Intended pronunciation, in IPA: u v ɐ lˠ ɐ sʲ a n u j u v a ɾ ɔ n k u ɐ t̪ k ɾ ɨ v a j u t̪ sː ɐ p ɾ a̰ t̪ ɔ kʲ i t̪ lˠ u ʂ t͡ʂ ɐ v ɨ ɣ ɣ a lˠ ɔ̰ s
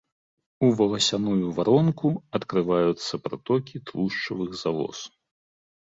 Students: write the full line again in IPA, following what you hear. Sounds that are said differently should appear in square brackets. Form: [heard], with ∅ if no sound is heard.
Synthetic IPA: u v ɐ lˠ ɐ sʲ a n u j u v a ɾ ɔ n k u ɐ t̪ k ɾ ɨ v a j u t̪ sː ɐ p ɾ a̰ t̪ ɔ kʲ i t̪ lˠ u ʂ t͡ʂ ɐ v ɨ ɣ [z] a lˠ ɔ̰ s